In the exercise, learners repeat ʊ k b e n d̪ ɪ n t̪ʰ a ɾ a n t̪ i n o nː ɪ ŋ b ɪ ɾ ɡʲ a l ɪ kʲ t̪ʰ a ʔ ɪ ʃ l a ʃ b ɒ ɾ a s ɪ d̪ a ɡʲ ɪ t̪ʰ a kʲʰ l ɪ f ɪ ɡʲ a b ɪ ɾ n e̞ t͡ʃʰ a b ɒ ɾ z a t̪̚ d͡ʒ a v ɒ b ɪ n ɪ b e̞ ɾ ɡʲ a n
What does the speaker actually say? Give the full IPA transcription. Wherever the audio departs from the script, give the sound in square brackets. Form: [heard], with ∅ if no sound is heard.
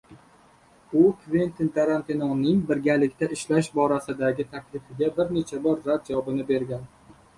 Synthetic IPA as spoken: ʊ k [v] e n [t̪] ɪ n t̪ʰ a ɾ a n t̪ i n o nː ɪ ŋ b ɪ ɾ ɡʲ a l ɪ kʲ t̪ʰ a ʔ ɪ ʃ l a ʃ b ɒ ɾ a s ɪ d̪ a ɡʲ ɪ t̪ʰ a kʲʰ l ɪ f ɪ ɡʲ a b ɪ ɾ n e̞ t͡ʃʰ a b ɒ ɾ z a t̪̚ d͡ʒ a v ɒ b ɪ n ɪ b e̞ ɾ ɡʲ a n